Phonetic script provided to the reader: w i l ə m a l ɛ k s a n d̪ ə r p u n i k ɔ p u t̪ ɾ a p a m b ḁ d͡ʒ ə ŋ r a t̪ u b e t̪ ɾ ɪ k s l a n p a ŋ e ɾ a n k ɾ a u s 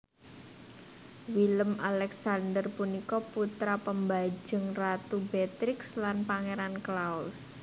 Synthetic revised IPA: w i l ə m a l ɛ k s a n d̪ ə r p u n i k ɔ p u t̪ ɾ a p ə m b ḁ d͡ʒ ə ŋ r a t̪ u b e t̪ ɾ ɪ k s l a n p a ŋ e ɾ a n k l a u s